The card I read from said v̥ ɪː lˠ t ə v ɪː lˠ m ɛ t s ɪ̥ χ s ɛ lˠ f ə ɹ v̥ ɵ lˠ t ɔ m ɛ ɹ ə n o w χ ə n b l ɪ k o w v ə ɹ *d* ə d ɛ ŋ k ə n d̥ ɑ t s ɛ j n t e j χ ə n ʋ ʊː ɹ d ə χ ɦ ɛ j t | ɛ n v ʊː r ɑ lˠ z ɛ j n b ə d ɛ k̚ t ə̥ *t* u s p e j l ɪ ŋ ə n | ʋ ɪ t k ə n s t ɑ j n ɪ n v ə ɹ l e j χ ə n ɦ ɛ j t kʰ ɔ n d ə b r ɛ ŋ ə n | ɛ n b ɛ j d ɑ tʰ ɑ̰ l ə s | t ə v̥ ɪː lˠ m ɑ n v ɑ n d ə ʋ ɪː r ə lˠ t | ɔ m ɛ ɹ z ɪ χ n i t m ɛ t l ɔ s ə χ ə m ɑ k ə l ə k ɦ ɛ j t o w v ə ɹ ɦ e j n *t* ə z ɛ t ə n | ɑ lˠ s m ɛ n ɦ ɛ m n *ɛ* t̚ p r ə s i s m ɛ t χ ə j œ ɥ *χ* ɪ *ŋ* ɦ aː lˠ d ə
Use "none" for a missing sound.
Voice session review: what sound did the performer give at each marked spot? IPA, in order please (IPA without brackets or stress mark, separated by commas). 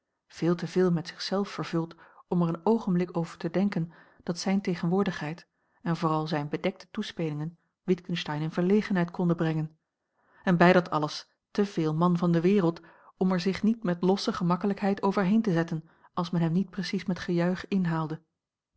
t, t, t, i, χ, n